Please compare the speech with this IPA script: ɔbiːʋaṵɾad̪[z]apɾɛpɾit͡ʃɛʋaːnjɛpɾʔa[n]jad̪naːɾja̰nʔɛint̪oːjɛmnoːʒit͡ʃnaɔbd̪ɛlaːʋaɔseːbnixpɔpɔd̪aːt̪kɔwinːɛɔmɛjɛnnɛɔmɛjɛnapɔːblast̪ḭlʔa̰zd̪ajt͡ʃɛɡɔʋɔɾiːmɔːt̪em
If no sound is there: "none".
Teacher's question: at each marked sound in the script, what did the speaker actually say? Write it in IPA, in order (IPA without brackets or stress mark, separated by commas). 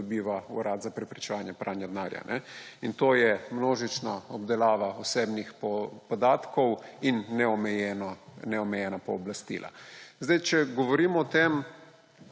z, n